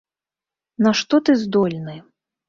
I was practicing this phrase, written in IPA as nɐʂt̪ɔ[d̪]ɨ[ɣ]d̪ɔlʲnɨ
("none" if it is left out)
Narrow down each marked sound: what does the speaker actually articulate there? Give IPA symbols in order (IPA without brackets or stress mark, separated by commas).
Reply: t̪, z